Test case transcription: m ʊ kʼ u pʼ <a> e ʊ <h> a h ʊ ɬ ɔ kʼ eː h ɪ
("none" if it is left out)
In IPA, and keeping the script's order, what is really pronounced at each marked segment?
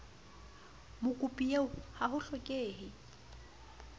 i, h

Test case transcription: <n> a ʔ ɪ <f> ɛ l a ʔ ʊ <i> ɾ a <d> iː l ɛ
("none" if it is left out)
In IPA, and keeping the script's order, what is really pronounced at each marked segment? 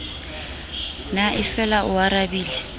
n, f, a, b

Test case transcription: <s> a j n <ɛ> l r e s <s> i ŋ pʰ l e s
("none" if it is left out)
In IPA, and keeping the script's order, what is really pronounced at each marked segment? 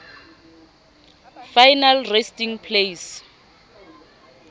f, a, t

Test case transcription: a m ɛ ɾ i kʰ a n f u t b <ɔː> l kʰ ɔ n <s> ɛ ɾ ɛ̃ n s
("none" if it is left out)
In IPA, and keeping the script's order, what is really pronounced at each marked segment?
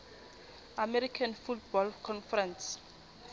ɔ, f

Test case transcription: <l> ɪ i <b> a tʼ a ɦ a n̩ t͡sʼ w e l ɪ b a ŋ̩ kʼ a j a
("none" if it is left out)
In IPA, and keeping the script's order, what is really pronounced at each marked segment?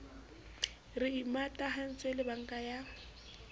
r, m

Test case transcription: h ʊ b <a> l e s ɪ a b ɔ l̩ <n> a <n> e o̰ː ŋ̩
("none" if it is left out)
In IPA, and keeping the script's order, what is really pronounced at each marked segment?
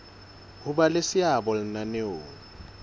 a, n, n

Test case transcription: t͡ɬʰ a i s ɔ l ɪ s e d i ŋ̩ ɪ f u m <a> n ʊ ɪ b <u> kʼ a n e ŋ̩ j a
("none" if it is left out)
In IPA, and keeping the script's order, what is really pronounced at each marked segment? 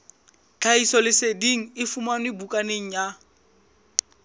a, u

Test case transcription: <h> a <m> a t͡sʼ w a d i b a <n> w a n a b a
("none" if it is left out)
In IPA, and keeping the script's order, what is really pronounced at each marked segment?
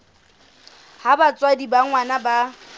h, b, ŋ

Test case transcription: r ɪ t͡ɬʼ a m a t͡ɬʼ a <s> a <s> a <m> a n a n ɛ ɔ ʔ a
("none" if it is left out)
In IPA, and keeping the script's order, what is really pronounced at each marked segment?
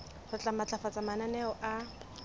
f, t͡s, m

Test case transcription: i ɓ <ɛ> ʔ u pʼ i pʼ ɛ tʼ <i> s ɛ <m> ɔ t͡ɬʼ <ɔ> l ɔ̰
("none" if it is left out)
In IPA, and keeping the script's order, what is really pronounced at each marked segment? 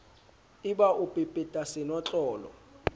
a, a, n, ɔː

